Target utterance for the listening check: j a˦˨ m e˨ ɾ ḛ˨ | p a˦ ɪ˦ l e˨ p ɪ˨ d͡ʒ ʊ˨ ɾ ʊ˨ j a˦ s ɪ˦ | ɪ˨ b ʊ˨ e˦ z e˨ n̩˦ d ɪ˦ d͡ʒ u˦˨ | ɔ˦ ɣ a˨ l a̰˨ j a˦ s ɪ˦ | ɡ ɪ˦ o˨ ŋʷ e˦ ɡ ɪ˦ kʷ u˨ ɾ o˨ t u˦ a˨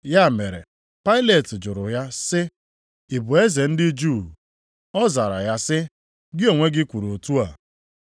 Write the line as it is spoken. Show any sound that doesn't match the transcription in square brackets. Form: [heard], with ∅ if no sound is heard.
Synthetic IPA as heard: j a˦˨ m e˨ ɾ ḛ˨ | p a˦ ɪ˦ l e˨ [t] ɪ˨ d͡ʒ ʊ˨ ɾ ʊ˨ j a˦ s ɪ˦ | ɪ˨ b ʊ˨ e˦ z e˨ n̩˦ d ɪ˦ d͡ʒ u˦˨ | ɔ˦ [z] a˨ [ɾ] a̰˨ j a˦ s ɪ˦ | ɡ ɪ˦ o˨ ŋʷ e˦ ɡ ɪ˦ kʷ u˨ ɾ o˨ t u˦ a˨